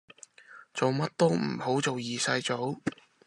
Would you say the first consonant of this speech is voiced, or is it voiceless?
voiceless